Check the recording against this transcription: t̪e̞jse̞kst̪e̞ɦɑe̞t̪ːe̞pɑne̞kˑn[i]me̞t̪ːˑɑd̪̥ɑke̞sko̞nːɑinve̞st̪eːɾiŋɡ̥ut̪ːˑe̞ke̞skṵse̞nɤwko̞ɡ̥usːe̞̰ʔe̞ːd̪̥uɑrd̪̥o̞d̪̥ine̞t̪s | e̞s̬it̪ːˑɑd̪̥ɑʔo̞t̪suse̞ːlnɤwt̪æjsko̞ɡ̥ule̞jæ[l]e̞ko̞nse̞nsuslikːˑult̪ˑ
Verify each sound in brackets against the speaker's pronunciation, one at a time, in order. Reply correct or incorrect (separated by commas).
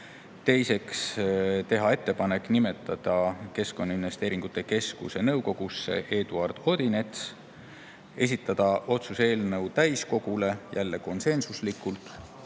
correct, incorrect